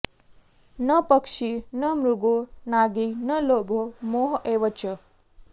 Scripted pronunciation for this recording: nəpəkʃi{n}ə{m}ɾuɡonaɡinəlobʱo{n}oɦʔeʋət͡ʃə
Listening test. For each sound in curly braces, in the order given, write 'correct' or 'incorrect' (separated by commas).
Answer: correct, correct, incorrect